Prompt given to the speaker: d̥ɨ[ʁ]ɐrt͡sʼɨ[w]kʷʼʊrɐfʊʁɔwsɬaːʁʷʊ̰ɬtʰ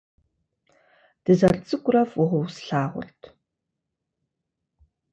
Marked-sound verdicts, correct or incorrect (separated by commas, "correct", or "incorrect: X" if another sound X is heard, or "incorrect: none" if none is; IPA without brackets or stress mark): incorrect: z, incorrect: none